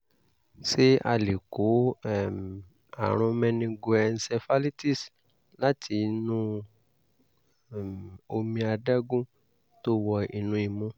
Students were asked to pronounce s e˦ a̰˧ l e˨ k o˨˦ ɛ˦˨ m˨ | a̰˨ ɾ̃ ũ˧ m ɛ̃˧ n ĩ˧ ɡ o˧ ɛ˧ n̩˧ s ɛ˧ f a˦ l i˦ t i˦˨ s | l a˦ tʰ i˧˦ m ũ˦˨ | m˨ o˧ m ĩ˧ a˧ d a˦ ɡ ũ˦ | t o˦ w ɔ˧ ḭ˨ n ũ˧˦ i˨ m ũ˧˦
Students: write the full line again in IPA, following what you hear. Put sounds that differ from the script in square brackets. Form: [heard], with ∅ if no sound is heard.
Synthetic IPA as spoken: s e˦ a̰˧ l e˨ k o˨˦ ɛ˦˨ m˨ | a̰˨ ɾ̃ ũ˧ m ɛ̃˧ n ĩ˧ ɡ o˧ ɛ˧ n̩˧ s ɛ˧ f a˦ l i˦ t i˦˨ s | l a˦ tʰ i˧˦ [n] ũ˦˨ | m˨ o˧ m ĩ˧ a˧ d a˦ ɡ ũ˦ | t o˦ w ɔ˧ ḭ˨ n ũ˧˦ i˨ m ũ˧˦